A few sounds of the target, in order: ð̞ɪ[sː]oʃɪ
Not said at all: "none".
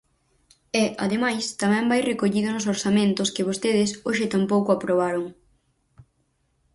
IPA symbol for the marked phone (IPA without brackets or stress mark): s